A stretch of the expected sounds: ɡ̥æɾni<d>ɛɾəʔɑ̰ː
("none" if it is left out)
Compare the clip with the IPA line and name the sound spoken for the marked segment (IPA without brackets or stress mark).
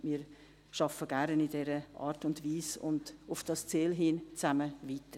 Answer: d